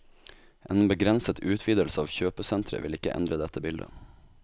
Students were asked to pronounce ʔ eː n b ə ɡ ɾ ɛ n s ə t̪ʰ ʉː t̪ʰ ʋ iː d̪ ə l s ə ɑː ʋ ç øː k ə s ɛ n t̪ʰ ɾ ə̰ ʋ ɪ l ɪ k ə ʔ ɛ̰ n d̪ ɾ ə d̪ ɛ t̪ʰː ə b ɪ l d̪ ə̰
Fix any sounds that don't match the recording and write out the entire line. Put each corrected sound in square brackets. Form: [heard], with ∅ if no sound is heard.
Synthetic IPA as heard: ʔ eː n b ə ɡ ɾ ɛ n s ə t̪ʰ ʉː t̪ʰ ʋ iː d̪ ə l s ə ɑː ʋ ç øː [p] ə s ɛ n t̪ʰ ɾ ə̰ ʋ ɪ l ɪ k ə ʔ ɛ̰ n d̪ ɾ ə d̪ ɛ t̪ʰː ə b ɪ l d̪ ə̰